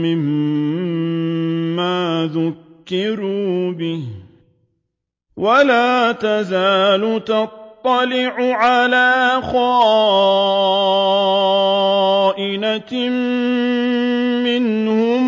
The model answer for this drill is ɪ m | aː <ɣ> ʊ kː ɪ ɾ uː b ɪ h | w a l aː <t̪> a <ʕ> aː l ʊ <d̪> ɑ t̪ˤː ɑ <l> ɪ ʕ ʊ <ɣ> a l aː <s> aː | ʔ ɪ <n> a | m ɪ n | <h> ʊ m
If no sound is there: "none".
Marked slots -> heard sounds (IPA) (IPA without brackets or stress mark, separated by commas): ð, t̪, z, t̪, l, ʕ, x, n, h